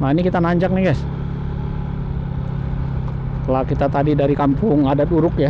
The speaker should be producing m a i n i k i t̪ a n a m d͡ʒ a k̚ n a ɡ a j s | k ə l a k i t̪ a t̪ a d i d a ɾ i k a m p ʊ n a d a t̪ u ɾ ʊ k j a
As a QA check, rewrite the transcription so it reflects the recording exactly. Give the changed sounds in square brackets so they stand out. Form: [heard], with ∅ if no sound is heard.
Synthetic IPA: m a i n i k i t̪ a n a [ɲ] d͡ʒ a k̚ n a ɡ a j s | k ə l a k i t̪ a t̪ a d i d a ɾ i k a m p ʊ [ŋ] a d a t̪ u ɾ ʊ k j a